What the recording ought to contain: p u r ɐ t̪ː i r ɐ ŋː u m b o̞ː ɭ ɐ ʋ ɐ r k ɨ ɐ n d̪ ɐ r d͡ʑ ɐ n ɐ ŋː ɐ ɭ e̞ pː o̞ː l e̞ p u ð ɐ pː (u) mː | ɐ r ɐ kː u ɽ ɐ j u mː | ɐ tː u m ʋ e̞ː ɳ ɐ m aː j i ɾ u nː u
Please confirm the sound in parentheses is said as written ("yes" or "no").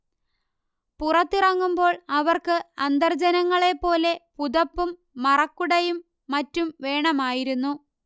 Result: yes